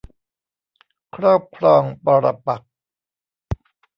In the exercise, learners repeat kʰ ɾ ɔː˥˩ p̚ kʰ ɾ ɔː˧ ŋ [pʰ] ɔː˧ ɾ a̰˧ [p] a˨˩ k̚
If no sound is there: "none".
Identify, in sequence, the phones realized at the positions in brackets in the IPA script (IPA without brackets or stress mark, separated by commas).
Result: p, p